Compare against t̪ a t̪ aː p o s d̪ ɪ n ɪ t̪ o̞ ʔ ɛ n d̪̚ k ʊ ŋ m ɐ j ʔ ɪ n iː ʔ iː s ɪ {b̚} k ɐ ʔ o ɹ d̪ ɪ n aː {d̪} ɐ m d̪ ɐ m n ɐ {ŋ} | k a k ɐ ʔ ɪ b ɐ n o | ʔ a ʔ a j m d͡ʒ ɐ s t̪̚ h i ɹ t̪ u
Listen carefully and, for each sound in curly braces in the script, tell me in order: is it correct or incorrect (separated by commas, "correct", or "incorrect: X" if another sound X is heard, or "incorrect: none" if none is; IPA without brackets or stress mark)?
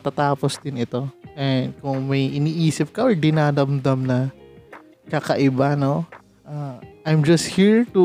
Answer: incorrect: p̚, correct, incorrect: none